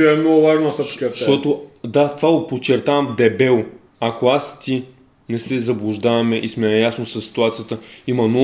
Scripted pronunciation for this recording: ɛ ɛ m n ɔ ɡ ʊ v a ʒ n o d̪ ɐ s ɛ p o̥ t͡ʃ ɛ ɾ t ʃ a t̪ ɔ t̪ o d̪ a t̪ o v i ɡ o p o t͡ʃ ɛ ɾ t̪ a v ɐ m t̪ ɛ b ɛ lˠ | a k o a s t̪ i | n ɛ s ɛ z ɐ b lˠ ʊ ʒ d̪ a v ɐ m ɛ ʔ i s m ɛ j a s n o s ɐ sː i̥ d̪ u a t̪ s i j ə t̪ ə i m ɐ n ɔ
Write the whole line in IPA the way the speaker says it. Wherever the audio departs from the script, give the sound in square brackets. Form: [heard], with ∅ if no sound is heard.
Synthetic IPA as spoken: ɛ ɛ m n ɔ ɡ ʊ v a ʒ n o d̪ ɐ s ɛ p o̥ t͡ʃ ɛ ɾ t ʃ a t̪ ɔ t̪ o d̪ a t̪ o v [a] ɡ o p o t͡ʃ ɛ ɾ t̪ a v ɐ m [d̪] ɛ b ɛ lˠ | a k o a s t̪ i | n ɛ s ɛ z ɐ b lˠ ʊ ʒ d̪ a v ɐ m ɛ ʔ i s m ɛ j a s n o s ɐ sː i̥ [t̪] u a t̪ s i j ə t̪ ə i m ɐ n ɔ